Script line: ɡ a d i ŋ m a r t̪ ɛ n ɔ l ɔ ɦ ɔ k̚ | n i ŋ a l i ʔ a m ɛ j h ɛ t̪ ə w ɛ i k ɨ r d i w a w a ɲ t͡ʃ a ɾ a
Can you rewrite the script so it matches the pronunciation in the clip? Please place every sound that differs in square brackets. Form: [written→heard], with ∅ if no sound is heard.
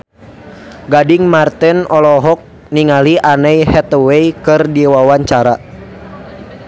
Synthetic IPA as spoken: ɡ a d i ŋ m a r t̪ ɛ n ɔ l ɔ ɦ ɔ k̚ | n i ŋ a l i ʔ a [m→n] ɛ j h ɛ t̪ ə w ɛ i k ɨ r d i w a w a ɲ t͡ʃ a ɾ a